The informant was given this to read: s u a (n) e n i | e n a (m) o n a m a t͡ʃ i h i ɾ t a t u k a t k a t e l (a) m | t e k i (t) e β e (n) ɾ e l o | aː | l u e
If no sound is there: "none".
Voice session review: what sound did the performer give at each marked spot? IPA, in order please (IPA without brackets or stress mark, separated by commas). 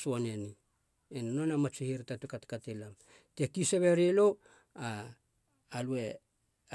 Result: n, n, a, s, none